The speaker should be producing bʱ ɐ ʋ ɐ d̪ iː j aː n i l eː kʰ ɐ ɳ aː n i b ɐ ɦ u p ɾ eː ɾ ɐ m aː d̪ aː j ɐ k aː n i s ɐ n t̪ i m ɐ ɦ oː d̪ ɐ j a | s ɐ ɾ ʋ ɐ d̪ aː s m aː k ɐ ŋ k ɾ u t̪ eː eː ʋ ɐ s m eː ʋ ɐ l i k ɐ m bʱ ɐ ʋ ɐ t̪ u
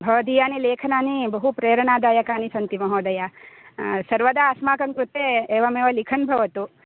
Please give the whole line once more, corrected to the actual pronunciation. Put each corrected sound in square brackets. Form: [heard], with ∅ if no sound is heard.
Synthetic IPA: bʱ ɐ ʋ ɐ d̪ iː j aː n i l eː kʰ ɐ [n] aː n i b ɐ ɦ u p ɾ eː ɾ ɐ [ɳ] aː d̪ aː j ɐ k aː n i s ɐ n t̪ i m ɐ ɦ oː d̪ ɐ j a | s ɐ ɾ ʋ ɐ d̪ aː s m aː k ɐ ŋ k ɾ u t̪ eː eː ʋ ɐ [∅] m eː ʋ ɐ l i [kʰ] ɐ [n] bʱ ɐ ʋ ɐ t̪ u

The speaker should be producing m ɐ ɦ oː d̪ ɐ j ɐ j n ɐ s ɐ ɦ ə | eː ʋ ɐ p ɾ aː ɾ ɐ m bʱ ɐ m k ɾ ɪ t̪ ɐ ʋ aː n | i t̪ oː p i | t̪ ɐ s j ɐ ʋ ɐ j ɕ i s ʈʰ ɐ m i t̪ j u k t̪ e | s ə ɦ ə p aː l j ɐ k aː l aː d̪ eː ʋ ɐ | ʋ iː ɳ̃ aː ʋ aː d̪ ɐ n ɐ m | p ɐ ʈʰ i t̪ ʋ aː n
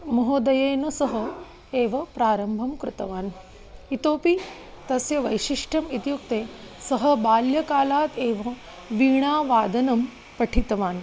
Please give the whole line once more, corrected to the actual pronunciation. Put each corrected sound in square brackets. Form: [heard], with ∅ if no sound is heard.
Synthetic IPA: m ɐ ɦ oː d̪ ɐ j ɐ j n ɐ s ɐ ɦ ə | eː ʋ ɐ p ɾ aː ɾ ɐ m bʱ ɐ m k ɾ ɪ t̪ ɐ ʋ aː n | i t̪ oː p i | t̪ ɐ s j ɐ ʋ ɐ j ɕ i [ʂ] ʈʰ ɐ m i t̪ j u k t̪ e | s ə ɦ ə [b] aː l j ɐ k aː l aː [t̪] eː ʋ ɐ | ʋ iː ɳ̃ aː ʋ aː d̪ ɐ n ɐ m | p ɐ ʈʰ i t̪ ʋ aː n

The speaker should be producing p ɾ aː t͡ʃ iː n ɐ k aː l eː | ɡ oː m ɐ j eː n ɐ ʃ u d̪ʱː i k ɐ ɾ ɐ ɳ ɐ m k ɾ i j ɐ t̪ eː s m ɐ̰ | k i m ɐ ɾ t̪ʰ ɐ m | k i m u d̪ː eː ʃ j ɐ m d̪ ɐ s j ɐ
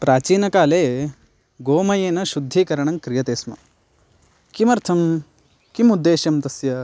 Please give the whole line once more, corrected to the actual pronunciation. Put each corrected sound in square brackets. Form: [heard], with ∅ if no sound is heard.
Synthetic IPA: p ɾ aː t͡ʃ iː n ɐ k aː l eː | ɡ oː m ɐ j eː n ɐ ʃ u d̪ʱː i k ɐ ɾ ɐ ɳ ɐ [ŋ] k ɾ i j ɐ t̪ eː s m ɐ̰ | k i m ɐ ɾ t̪ʰ ɐ m | k i m u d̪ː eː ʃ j ɐ m [t̪] ɐ s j ɐ

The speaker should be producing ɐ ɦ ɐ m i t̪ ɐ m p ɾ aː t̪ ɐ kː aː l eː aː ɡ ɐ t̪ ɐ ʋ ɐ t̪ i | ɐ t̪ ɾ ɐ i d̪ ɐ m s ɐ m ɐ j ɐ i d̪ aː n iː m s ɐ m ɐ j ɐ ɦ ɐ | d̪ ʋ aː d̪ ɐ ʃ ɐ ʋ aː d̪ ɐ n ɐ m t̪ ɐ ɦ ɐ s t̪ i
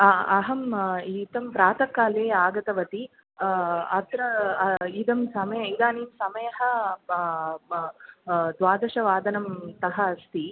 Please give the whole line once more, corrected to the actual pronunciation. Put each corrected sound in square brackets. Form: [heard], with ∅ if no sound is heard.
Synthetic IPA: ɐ ɦ ɐ m i t̪ ɐ m p ɾ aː t̪ ɐ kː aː l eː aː ɡ ɐ t̪ ɐ ʋ ɐ t̪ i | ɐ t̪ ɾ ɐ i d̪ ɐ m s ɐ m ɐ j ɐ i d̪ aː n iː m s ɐ m ɐ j ɐ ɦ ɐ | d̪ ʋ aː d̪ ɐ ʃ ɐ ʋ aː d̪ ɐ n ɐ m t̪ ɐ ɦ ɐ s t̪ i

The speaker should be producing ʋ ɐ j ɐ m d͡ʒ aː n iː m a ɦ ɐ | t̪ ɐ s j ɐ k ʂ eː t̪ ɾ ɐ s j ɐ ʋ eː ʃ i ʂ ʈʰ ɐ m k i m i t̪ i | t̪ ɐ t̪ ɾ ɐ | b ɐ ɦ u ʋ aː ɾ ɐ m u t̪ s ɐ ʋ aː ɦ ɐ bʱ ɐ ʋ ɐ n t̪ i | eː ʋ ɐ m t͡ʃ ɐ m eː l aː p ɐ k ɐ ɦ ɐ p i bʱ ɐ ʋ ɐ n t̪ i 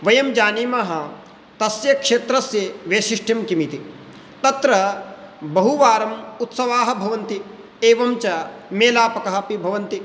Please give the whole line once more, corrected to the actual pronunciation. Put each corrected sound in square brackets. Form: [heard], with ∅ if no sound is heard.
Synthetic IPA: ʋ ɐ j ɐ m d͡ʒ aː n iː m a ɦ ɐ | t̪ ɐ s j ɐ k ʂ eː t̪ ɾ ɐ s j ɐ ʋ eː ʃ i ʂ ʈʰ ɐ m k i m i t̪ i | t̪ ɐ t̪ ɾ ɐ | b ɐ ɦ u ʋ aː ɾ ɐ m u t̪ s ɐ ʋ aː ɦ ɐ bʱ ɐ ʋ ɐ n t̪ i | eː ʋ ɐ m t͡ʃ ɐ m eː l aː p ɐ k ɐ ɦ ɐ p i bʱ ɐ ʋ ɐ n t̪ i

